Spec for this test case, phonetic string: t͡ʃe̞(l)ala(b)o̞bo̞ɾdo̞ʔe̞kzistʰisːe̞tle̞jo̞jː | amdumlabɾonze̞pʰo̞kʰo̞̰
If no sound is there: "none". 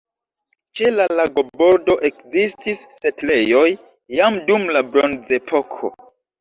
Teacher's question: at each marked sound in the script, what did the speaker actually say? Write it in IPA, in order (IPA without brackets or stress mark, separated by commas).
l, ɡ